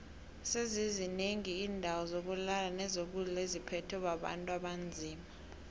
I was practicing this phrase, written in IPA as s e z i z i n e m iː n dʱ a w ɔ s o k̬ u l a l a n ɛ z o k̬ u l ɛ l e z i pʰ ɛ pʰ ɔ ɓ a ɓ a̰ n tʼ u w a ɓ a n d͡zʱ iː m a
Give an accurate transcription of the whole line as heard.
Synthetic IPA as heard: s e z i z i n e ŋ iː n dʱ a w ɔ z o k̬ u l a l a n ɛ z o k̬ u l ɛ l e z i pʰ ɛ tʰ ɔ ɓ a ɓ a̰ n tʼ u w a ɓ a n d͡zʱ iː m a